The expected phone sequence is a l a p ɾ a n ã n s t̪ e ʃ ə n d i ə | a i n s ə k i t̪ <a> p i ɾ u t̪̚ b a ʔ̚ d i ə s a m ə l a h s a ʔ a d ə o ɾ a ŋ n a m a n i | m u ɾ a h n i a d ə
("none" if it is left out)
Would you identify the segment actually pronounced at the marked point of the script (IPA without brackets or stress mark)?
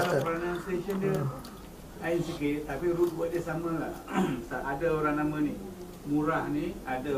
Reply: a